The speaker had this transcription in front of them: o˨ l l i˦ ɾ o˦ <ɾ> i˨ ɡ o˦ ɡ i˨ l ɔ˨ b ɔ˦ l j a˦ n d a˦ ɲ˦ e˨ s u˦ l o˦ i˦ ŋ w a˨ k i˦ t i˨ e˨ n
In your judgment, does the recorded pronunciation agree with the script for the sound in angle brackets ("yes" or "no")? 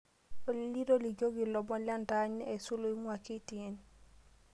no